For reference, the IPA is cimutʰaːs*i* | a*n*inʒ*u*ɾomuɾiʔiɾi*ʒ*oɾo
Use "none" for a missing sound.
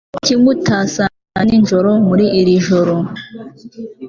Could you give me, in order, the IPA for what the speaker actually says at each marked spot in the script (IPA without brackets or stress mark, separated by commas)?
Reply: a, n, o, ʒ